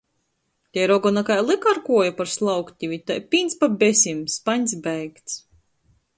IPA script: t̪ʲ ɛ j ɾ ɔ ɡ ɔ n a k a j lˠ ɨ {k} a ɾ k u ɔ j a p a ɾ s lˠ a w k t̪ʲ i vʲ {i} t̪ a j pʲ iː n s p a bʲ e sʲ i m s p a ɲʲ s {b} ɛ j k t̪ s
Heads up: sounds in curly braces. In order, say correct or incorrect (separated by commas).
correct, correct, correct